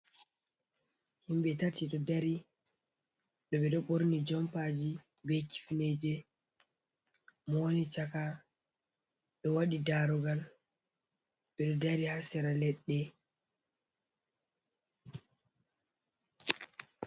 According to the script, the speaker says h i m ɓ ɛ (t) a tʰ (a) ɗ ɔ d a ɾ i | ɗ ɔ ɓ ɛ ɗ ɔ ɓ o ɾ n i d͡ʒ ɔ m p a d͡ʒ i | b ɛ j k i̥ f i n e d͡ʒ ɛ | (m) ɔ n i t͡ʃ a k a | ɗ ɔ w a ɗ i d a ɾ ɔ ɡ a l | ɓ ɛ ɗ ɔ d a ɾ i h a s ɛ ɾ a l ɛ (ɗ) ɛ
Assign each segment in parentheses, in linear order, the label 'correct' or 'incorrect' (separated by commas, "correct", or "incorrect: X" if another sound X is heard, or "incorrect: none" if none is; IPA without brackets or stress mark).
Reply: correct, incorrect: i, correct, incorrect: ɗː